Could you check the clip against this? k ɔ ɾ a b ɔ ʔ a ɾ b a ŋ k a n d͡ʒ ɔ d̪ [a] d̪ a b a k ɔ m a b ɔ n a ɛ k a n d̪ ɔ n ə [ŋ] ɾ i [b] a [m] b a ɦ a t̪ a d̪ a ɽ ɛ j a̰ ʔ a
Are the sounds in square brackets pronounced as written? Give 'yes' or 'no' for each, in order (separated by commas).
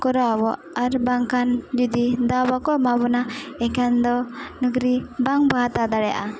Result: no, no, yes, no